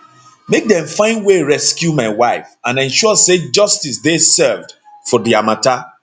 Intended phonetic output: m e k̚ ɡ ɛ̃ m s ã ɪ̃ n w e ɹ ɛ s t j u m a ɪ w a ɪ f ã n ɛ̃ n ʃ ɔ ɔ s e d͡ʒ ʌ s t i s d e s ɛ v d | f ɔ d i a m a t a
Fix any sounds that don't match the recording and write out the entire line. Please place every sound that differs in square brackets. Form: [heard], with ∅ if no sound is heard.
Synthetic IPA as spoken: m e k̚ [d] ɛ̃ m [f] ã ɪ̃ n w e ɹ ɛ s [k] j u m a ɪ w a ɪ f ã n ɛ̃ n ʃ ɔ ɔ s e d͡ʒ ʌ s t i s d e s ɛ v d | f ɔ d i a m a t a